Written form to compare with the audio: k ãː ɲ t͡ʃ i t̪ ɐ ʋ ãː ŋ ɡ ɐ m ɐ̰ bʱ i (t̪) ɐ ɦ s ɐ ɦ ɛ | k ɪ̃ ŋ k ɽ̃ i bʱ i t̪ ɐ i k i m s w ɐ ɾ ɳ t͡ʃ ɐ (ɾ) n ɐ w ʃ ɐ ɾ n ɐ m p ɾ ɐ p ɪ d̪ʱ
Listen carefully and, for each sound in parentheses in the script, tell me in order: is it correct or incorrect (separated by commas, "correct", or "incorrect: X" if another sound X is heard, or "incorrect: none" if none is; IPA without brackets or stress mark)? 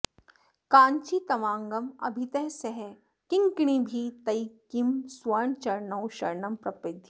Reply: correct, correct